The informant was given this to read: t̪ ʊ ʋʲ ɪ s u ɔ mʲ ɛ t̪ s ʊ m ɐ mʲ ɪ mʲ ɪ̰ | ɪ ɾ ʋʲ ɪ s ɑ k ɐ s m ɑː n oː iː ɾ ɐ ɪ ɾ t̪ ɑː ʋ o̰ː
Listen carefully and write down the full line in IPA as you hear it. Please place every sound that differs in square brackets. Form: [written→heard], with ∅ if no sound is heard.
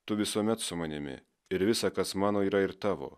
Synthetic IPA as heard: t̪ ʊ ʋʲ ɪ s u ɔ mʲ ɛ t̪ s ʊ m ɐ [mʲ→nʲ] ɪ mʲ ɪ̰ | ɪ ɾ ʋʲ ɪ s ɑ k ɐ s m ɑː n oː iː ɾ ɐ ɪ ɾ t̪ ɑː ʋ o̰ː

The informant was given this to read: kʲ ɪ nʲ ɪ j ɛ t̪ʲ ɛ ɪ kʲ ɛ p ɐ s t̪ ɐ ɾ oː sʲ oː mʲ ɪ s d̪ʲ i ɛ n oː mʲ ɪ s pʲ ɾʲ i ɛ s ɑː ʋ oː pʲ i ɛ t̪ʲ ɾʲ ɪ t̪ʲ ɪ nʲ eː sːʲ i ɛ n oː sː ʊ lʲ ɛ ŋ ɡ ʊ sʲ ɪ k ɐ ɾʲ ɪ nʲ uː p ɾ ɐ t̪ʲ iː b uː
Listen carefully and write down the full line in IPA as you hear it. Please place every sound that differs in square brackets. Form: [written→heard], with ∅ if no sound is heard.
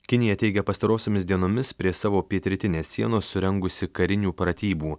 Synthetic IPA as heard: kʲ ɪ nʲ ɪ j ɛ t̪ʲ ɛ ɪ [kʲ→ɡʲ] ɛ p ɐ s t̪ ɐ ɾ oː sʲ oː mʲ ɪ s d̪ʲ i ɛ n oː mʲ ɪ s pʲ ɾʲ i ɛ s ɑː ʋ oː pʲ i ɛ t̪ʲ ɾʲ ɪ t̪ʲ ɪ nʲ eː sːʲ i ɛ n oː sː ʊ [lʲ→ɾʲ] ɛ ŋ ɡ ʊ sʲ ɪ k ɐ ɾʲ ɪ nʲ uː p ɾ ɐ t̪ʲ iː b uː

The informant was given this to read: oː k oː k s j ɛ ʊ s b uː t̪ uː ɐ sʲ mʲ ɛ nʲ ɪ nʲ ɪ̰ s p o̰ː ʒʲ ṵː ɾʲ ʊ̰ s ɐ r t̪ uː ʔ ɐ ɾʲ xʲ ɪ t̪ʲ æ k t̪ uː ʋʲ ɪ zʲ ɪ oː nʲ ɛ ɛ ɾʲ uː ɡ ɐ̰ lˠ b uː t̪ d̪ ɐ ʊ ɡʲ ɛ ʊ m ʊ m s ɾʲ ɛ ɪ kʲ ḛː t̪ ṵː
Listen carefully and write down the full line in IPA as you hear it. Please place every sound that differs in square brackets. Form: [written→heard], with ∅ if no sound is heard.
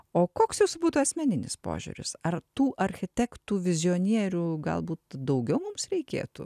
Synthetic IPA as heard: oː k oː k s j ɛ ʊ s b uː t̪ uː ɐ sʲ mʲ ɛ nʲ ɪ nʲ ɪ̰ s p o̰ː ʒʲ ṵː ɾʲ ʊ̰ s ɐ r t̪ uː ʔ ɐ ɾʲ xʲ ɪ t̪ʲ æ k t̪ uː ʋʲ ɪ zʲ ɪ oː nʲ [ɛ→i] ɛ ɾʲ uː ɡ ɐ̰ lˠ b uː t̪ d̪ ɐ ʊ ɡʲ ɛ ʊ m ʊ m s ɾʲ ɛ ɪ kʲ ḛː t̪ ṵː

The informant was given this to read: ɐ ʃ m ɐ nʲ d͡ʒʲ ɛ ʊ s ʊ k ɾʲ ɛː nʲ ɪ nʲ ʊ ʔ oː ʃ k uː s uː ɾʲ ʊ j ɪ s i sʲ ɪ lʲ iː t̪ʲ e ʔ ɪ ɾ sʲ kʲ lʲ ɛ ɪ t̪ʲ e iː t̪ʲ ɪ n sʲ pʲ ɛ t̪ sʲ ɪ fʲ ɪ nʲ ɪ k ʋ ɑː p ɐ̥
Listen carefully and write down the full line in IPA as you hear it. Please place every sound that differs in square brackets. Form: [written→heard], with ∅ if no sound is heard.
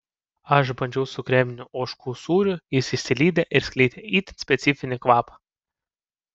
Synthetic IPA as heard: ɐ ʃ [m→b] ɐ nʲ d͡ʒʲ ɛ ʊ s ʊ k ɾʲ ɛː [nʲ→mʲ] ɪ nʲ ʊ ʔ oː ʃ k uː s uː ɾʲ ʊ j ɪ s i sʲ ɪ lʲ iː [t̪ʲ→d̪ʲ] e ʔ ɪ ɾ sʲ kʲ lʲ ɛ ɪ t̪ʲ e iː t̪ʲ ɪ n sʲ pʲ ɛ t̪ sʲ ɪ fʲ ɪ nʲ ɪ k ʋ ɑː p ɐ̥

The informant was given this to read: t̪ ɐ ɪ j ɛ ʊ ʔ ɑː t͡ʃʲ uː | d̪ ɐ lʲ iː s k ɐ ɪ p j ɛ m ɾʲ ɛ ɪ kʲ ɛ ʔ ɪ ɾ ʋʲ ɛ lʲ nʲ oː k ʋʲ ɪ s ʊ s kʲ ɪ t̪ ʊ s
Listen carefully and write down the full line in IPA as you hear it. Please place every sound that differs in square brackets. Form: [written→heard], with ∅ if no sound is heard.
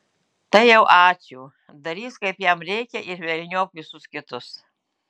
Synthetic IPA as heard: t̪ ɐ ɪ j ɛ ʊ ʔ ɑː t͡ʃʲ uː | d̪ ɐ [lʲ→ɾʲ] iː s k ɐ ɪ p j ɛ m ɾʲ ɛ ɪ kʲ ɛ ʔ ɪ ɾ ʋʲ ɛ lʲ nʲ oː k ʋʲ ɪ s ʊ s kʲ ɪ t̪ ʊ s

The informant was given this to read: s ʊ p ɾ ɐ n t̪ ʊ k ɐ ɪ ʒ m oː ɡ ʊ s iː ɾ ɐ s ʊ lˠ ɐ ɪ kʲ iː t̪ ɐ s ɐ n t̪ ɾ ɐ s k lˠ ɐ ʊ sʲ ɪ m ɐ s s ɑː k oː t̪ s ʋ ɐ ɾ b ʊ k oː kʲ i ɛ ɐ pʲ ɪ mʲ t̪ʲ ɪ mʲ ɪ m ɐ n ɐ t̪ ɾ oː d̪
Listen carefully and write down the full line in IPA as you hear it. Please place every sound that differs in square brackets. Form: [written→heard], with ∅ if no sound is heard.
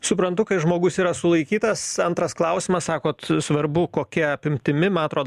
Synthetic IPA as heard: s ʊ p ɾ ɐ n t̪ ʊ k ɐ ɪ ʒ m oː ɡ ʊ s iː ɾ ɐ s ʊ lˠ ɐ ɪ kʲ iː t̪ ɐ s ɐ n t̪ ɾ ɐ s k lˠ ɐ ʊ sʲ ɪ m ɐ s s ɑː k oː t̪ s ʋ ɐ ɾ b ʊ k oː kʲ i ɛ ɐ pʲ ɪ mʲ t̪ʲ ɪ mʲ ɪ m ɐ n ɐ t̪ ɾ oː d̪

